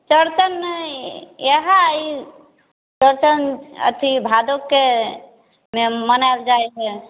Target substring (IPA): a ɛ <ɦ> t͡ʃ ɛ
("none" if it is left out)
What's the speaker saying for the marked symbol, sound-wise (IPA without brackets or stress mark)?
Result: none